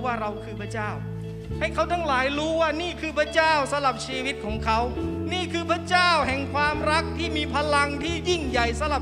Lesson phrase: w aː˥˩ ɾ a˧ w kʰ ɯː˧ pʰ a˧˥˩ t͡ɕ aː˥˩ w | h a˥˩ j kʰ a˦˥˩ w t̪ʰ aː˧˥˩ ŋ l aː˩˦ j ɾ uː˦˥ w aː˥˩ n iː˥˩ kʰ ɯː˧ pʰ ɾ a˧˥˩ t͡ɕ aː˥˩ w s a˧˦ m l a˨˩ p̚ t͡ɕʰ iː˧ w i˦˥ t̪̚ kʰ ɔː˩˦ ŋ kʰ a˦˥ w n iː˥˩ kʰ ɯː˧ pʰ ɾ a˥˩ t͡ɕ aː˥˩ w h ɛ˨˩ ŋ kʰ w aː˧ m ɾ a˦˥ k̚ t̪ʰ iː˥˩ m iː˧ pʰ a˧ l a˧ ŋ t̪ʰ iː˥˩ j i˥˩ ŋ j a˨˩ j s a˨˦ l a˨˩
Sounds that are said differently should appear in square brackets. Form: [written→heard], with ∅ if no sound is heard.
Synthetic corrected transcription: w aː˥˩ ɾ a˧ w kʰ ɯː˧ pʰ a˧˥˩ t͡ɕ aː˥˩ w | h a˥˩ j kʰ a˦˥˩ w t̪ʰ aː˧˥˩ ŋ l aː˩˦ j ɾ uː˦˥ w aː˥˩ n iː˥˩ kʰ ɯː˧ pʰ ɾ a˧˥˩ t͡ɕ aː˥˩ w s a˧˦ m l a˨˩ p̚ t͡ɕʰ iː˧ w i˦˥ t̪̚ kʰ ɔː˩˦ ŋ kʰ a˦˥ w n iː˥˩ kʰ ɯː˧ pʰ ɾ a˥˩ t͡ɕ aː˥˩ w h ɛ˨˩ ŋ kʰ w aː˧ m ɾ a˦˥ k̚ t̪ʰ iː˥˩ m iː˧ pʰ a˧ l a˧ ŋ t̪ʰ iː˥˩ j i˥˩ ŋ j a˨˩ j s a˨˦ l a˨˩